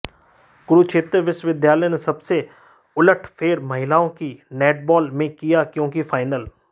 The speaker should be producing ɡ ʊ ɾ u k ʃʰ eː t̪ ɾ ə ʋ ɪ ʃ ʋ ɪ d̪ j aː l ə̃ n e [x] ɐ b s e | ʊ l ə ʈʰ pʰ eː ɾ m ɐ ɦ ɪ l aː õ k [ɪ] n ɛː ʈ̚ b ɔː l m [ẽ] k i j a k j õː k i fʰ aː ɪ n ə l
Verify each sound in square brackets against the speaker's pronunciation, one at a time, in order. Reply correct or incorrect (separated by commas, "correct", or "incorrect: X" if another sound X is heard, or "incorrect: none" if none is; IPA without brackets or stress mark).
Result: incorrect: s, incorrect: i, correct